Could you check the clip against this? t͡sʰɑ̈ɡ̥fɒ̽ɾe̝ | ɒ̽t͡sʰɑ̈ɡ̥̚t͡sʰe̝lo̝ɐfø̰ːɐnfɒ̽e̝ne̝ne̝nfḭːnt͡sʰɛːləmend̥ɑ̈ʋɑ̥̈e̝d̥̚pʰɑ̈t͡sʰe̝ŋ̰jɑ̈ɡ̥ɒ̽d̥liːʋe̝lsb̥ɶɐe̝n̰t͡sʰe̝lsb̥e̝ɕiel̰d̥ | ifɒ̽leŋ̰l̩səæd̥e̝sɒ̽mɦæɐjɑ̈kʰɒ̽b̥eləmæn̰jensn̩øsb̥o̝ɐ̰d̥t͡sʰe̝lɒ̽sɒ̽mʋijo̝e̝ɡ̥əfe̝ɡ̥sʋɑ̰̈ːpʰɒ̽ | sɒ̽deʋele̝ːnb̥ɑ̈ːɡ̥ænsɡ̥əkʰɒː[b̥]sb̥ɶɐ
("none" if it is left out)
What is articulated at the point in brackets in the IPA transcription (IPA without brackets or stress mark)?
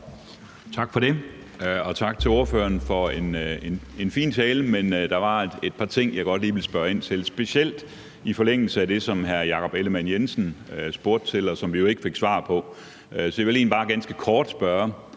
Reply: d̥